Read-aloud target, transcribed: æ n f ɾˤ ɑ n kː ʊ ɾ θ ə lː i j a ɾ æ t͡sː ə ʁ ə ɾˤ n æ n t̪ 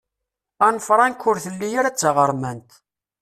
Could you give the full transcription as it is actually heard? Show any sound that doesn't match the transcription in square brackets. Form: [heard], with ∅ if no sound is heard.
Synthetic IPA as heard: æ n f ɾˤ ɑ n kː ʊ ɾ θ ə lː i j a ɾ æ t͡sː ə ʁ ə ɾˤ [m] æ n t̪